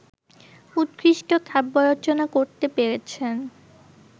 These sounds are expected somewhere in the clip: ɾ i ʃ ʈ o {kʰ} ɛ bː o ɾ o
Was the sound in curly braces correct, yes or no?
yes